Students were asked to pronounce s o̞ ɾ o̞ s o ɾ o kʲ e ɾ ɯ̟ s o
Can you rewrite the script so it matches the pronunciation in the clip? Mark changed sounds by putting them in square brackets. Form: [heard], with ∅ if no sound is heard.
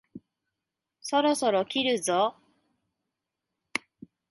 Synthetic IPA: s o̞ ɾ o̞ s o ɾ o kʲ [i] ɾ ɯ̟ [z] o